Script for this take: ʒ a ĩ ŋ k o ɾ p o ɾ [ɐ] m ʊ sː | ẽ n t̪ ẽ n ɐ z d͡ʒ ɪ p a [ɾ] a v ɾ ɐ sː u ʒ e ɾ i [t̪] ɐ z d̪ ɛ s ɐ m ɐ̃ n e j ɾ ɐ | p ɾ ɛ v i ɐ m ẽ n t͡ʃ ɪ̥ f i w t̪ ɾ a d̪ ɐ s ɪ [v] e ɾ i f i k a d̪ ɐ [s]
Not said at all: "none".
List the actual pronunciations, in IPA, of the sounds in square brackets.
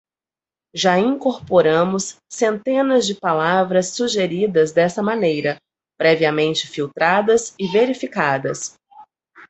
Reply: ɐ̃, l, d̪, v, s

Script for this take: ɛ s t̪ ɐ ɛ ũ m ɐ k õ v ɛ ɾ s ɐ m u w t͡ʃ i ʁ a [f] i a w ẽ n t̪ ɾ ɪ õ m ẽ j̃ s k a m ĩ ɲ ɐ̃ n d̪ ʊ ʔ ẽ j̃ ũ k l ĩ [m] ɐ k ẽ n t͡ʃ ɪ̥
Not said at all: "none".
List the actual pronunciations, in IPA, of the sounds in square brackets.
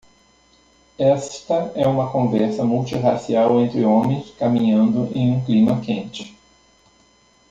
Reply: s, m

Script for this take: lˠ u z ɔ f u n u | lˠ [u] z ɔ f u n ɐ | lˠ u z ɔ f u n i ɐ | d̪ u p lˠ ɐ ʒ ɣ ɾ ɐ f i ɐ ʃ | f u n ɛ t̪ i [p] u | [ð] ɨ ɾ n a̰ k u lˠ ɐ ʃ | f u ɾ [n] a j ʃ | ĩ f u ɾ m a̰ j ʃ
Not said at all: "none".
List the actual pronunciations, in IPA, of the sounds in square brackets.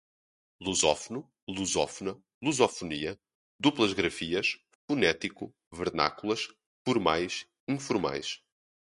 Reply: u, k, v, m

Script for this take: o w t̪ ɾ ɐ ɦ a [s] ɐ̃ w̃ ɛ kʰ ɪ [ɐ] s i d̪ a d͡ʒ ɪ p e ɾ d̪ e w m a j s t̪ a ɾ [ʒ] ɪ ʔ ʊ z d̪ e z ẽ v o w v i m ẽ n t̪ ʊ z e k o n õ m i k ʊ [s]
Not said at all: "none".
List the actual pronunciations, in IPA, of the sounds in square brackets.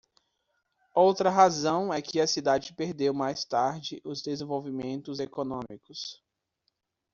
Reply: z, ɐ, d͡ʒ, s

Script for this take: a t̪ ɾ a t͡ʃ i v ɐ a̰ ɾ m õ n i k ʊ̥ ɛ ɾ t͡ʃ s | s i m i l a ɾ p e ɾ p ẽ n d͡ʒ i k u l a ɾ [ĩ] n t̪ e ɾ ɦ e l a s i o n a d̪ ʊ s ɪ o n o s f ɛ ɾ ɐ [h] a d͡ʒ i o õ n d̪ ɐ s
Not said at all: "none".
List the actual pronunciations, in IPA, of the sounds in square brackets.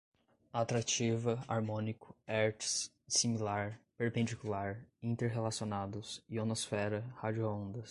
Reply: ĩ, h

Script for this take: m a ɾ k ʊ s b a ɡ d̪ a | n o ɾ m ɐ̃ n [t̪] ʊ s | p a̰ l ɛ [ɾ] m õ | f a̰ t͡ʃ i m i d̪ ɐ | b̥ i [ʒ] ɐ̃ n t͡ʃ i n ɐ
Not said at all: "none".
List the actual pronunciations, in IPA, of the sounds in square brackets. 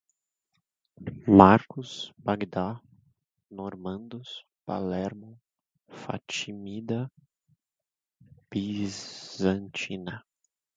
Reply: d̪, ɾ, z

